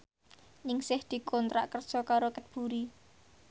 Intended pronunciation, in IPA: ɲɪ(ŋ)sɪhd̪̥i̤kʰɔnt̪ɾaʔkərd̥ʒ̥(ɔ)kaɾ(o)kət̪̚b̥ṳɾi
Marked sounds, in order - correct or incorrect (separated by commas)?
correct, correct, correct